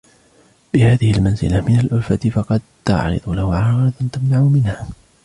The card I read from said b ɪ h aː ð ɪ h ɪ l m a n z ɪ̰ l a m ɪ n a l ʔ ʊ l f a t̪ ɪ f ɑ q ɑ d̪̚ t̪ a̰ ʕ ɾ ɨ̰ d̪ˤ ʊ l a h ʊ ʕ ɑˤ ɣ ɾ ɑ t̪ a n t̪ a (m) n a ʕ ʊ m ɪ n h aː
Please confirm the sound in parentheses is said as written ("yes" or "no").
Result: yes